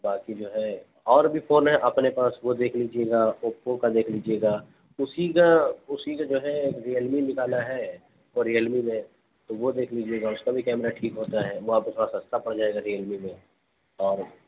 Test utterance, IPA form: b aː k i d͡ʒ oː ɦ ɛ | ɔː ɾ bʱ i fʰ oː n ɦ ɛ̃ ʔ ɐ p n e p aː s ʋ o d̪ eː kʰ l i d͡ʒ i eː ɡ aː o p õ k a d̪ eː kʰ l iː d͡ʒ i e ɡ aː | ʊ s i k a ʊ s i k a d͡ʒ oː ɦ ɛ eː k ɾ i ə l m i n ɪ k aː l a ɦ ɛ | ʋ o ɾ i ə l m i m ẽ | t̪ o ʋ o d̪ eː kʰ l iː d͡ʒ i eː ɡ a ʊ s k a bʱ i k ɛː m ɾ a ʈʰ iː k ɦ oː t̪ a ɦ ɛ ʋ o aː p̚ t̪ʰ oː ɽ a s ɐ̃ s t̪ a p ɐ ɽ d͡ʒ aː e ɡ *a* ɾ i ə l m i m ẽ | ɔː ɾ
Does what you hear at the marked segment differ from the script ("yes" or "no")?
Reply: no